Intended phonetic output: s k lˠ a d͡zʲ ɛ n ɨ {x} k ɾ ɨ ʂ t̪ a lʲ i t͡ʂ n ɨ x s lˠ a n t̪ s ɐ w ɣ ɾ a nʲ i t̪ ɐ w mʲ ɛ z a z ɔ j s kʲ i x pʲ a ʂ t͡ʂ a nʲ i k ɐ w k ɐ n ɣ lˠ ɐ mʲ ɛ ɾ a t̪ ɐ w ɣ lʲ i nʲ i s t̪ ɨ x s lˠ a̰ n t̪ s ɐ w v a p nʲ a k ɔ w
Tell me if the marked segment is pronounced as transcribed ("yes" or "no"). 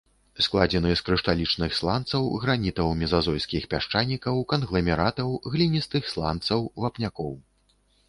no